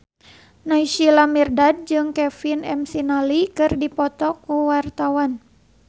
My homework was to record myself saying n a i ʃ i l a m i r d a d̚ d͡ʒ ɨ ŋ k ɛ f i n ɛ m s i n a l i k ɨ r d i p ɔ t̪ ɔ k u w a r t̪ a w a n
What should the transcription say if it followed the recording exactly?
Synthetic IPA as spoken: n a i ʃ i l a m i r d a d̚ d͡ʒ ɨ ŋ k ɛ f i n ɛ m s i n a l i k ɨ r d i p ɔ t̪ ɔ k u w a r t̪ a w a n